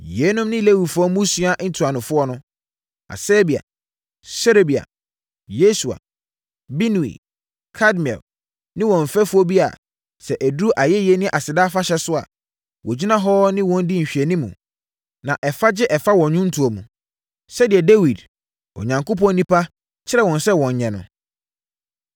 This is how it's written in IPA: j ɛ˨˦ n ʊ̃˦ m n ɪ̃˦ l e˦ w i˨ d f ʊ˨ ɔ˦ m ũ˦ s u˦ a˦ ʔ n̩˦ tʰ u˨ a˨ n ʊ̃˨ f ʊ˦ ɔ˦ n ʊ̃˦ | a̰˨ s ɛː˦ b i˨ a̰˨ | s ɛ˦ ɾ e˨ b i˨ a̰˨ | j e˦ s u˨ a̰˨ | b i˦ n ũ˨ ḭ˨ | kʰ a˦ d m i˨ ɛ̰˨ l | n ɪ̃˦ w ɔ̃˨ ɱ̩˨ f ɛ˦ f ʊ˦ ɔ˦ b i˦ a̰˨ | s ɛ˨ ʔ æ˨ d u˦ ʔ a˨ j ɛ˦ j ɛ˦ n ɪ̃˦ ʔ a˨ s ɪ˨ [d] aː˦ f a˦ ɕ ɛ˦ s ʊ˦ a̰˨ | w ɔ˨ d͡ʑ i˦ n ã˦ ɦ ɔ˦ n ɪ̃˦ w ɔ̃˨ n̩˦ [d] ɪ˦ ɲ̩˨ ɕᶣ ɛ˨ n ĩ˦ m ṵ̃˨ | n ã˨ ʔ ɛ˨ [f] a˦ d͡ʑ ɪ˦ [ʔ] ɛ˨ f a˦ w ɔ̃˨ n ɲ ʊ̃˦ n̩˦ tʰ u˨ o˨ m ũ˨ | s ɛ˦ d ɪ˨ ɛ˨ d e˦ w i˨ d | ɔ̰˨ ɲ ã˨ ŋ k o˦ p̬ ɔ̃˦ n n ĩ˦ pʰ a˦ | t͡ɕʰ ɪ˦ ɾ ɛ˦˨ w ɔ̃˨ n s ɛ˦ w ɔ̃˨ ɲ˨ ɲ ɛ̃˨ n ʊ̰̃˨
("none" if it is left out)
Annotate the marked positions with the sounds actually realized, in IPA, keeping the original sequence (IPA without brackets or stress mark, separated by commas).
d, d, f, ʔ